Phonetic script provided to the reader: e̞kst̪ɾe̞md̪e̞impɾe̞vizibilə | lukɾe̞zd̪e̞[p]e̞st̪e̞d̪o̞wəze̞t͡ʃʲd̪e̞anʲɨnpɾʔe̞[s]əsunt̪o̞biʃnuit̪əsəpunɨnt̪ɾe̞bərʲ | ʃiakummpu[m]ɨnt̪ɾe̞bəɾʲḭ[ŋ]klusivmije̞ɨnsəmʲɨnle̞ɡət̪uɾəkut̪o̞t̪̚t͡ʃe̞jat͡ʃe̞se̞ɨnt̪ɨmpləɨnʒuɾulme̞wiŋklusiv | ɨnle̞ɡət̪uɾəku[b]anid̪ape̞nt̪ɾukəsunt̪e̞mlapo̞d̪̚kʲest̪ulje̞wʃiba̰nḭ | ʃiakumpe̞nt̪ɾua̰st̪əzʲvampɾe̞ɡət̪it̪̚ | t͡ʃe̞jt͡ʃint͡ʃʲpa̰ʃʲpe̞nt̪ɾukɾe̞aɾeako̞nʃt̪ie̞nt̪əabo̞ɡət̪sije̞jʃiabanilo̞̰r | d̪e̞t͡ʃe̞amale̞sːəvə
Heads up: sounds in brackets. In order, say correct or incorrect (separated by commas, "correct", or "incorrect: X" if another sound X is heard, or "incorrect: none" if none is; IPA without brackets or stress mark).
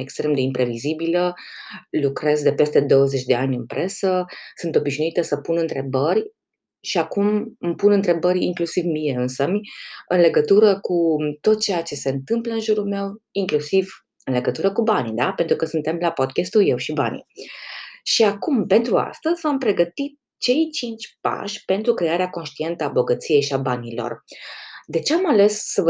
correct, correct, incorrect: n, correct, correct